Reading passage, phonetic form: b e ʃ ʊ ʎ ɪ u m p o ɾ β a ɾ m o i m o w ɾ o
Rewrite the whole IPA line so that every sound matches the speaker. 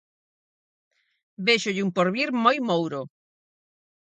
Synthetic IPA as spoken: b e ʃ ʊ ʎ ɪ u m p o ɾ β i ɾ m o j m o w ɾ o